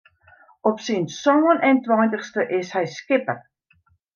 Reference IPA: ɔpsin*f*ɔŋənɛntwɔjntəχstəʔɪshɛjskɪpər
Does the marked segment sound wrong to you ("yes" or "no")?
yes